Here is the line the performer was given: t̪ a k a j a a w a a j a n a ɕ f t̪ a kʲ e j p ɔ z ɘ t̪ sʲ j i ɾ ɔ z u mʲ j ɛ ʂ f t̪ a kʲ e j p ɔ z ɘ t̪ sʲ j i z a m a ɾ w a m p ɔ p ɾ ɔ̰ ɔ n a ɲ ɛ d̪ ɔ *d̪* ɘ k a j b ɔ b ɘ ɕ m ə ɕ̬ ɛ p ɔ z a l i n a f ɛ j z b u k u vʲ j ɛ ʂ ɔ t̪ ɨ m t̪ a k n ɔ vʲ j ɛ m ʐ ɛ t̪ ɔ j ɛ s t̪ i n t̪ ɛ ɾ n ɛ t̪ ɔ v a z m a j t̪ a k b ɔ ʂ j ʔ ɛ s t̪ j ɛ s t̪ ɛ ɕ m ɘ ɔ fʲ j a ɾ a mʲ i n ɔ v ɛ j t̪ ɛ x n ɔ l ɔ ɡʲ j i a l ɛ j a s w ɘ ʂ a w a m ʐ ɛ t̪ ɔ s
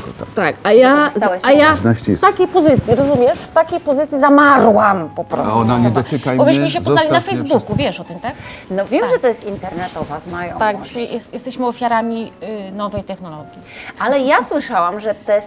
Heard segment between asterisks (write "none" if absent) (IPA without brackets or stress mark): t̪